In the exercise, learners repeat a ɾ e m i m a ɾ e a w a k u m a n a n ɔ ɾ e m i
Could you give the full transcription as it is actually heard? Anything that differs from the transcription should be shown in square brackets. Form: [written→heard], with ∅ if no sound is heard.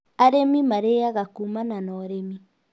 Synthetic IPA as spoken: a ɾ e m i m a ɾ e a [w→ɣ] a k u m a n a n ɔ ɾ e m i